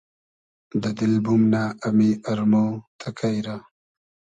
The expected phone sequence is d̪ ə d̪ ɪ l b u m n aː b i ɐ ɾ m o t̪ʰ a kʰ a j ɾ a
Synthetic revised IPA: d̪ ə d̪ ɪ l b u m n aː m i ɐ ɾ m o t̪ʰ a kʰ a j ɾ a